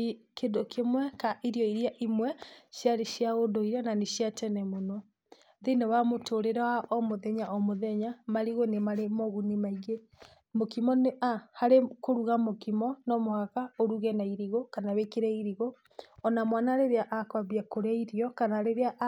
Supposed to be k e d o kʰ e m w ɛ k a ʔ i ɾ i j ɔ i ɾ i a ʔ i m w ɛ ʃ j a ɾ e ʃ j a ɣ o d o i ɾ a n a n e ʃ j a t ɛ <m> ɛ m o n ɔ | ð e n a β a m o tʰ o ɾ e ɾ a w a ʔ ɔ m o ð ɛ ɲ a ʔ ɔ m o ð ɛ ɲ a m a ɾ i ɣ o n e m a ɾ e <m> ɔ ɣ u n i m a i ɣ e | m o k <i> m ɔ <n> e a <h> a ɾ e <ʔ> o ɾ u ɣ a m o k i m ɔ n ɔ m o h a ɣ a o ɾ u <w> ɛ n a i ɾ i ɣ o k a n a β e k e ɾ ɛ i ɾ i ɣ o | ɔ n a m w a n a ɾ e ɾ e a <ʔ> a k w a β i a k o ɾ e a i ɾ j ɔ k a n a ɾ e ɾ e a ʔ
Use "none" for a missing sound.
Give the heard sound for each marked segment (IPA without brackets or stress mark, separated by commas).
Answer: n, m, i, n, h, k, ɣ, ʔ